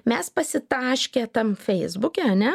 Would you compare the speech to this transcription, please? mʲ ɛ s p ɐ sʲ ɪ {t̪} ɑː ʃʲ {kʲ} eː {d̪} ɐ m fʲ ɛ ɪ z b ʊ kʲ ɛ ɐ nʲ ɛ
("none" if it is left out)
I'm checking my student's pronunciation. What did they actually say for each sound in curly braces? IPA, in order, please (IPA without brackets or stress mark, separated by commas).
t̪, kʲ, t̪